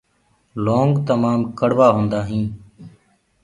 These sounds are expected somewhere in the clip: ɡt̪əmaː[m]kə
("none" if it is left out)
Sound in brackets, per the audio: m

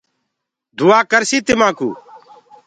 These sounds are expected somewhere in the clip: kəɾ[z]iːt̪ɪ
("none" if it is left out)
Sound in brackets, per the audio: s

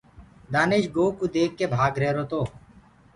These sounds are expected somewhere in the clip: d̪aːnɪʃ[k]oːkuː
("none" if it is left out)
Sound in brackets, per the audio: ɡ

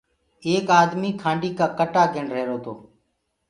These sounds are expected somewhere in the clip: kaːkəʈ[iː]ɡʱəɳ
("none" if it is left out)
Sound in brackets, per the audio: aː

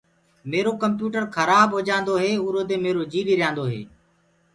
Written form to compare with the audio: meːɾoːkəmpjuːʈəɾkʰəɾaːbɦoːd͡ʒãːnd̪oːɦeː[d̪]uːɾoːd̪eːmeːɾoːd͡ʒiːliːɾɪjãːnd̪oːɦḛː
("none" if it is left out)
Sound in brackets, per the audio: none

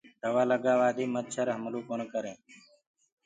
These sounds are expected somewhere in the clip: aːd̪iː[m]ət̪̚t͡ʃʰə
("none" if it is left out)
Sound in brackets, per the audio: m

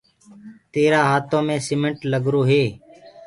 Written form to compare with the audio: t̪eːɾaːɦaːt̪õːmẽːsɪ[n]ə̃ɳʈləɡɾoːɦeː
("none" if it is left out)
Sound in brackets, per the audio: m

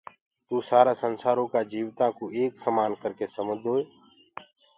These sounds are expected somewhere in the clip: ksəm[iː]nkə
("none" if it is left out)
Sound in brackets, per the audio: aː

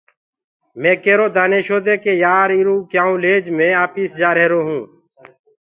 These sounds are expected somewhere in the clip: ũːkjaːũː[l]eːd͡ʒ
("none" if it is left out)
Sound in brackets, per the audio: l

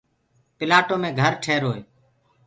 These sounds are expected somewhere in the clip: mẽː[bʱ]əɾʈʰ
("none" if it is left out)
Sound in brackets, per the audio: ɡʱ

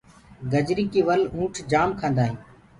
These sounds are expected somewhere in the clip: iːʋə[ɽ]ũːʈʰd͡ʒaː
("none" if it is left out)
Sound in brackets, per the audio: l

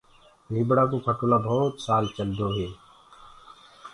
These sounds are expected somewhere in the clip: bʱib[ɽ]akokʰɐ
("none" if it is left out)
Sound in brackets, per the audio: ɽ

